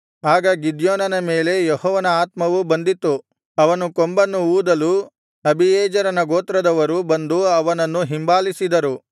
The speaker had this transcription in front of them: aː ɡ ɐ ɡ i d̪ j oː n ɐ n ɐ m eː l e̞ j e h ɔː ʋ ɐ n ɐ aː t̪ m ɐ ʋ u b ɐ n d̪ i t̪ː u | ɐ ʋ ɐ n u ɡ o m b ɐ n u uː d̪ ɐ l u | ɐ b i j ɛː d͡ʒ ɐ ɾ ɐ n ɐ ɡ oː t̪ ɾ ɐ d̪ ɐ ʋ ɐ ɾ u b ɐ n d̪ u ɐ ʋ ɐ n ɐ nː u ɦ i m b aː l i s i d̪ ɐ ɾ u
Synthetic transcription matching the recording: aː ɡ ɐ ɡ i d̪ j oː n ɐ n ɐ m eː l e̞ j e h ɔː ʋ ɐ n ɐ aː t̪ m ɐ ʋ u b ɐ n d̪ i t̪ː u | ɐ ʋ ɐ n u k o m b ɐ nː u uː d̪ ɐ l u | ɐ b i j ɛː d͡ʒ ɐ ɾ ɐ n ɐ ɡ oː t̪ ɾ ɐ d̪ ɐ ʋ ɐ ɾ u b ɐ n d̪ u ɐ ʋ ɐ n ɐ nː u ɦ i m b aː l i s i d̪ ɐ ɾ u